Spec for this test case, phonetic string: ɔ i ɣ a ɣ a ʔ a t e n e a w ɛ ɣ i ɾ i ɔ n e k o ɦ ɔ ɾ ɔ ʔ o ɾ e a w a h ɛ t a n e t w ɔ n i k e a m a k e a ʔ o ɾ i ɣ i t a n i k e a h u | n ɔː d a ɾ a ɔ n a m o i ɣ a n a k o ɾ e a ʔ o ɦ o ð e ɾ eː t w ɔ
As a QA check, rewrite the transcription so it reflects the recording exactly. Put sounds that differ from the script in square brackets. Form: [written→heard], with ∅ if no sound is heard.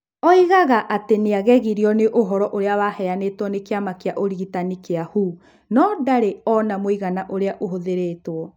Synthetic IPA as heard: ɔ i ɣ a ɣ a ʔ a t e n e a [w→ɣ] ɛ ɣ i ɾ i ɔ n e [k→ʔ] o ɦ ɔ ɾ ɔ ʔ o ɾ e a w a h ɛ [t→∅] a n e t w ɔ n [i→e] k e a m a k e a ʔ o ɾ i ɣ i t a n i k e a h u | n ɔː d a ɾ [a→e] ɔ n a m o i ɣ a n a [k→ʔ] o ɾ e a ʔ o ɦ o ð e ɾ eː t w ɔ